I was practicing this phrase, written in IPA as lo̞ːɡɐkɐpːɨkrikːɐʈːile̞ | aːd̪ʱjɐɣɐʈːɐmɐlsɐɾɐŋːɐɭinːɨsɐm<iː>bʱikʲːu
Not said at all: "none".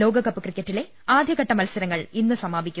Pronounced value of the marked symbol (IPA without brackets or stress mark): aː